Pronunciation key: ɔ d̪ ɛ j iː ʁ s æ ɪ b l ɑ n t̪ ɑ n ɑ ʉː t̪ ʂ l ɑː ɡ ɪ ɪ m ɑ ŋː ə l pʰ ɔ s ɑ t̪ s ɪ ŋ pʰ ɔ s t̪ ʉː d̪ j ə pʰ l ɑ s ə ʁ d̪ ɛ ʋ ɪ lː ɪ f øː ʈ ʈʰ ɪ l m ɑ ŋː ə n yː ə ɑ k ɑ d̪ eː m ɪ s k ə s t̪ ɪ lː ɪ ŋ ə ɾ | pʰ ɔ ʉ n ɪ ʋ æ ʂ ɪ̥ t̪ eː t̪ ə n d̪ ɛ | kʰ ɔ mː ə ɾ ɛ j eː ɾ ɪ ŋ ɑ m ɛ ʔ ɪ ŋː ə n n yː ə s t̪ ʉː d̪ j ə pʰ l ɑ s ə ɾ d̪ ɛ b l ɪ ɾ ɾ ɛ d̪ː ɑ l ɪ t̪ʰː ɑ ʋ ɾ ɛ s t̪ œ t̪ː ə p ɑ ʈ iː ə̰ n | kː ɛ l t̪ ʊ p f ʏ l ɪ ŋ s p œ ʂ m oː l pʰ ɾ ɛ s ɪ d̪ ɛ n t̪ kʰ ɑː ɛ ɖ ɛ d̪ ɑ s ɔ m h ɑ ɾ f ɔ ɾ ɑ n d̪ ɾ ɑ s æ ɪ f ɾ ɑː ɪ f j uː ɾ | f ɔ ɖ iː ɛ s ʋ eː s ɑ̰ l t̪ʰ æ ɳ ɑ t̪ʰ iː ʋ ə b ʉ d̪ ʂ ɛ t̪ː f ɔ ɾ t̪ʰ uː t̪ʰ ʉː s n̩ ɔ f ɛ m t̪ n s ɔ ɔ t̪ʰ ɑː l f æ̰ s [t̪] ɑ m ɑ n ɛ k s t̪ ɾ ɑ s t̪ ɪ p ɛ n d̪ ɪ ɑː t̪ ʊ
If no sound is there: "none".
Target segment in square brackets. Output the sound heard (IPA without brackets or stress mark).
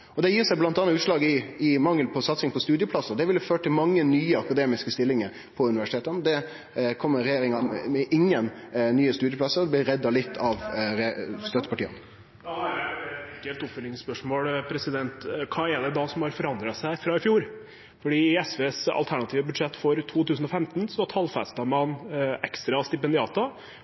t̪